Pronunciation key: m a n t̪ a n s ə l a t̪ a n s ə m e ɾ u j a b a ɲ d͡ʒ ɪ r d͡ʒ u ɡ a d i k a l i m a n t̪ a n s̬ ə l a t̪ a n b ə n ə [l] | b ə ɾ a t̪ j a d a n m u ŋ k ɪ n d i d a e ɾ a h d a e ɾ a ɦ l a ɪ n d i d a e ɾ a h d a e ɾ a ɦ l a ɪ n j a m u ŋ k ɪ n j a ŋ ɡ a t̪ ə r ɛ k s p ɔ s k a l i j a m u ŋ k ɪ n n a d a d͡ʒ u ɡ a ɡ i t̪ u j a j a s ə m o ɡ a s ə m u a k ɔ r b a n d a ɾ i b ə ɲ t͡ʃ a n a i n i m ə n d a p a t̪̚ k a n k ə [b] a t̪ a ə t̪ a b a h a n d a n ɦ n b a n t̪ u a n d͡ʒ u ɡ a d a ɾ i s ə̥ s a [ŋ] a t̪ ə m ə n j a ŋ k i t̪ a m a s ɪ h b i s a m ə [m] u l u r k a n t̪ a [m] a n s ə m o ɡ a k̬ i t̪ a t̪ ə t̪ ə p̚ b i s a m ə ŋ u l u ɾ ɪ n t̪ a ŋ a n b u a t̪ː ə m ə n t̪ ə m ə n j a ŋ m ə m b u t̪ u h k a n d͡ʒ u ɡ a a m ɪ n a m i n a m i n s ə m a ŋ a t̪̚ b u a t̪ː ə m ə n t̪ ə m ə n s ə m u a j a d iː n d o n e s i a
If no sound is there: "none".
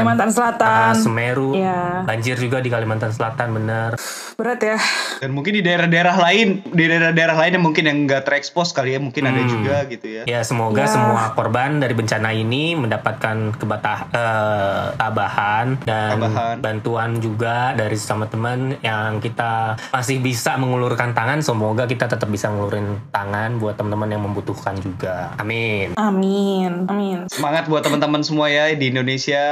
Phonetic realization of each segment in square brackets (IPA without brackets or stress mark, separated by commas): r, b, m, ŋ, ŋ